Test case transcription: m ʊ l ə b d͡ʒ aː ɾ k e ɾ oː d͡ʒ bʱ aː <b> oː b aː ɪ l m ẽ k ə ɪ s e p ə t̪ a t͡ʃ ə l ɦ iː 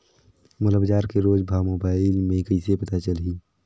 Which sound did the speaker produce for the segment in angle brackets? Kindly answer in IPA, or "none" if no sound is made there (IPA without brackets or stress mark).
m